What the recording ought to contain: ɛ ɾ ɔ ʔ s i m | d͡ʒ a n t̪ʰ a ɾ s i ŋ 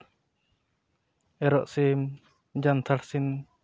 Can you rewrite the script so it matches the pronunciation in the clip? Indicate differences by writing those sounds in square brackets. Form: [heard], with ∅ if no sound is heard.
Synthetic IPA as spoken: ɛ ɾ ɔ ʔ s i m | d͡ʒ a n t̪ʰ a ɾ s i [n]